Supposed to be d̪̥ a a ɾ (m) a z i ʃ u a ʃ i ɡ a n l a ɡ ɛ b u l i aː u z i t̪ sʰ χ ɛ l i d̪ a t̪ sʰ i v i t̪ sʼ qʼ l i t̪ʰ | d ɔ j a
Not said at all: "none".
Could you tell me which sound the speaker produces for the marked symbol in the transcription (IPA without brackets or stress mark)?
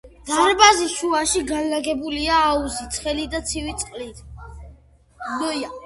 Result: b